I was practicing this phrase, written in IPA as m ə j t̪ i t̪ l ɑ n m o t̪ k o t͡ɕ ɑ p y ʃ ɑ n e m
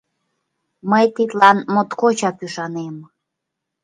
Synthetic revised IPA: m ə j t̪ i t̪ l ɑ n m o t̪ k o t͡ɕ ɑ p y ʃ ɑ n e m